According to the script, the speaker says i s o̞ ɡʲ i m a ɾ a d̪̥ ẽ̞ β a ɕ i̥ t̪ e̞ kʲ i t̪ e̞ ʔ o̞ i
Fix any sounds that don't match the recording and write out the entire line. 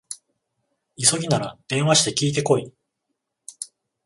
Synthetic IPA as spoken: i s o̞ ɡʲ i n a ɾ a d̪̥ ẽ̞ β a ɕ i̥ t̪ e̞ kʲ iː t̪ e̞ k o̞ i